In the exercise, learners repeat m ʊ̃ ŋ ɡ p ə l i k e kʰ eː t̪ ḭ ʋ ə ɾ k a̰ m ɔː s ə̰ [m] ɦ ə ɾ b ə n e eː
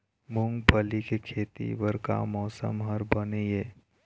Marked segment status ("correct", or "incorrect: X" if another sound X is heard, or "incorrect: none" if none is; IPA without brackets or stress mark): correct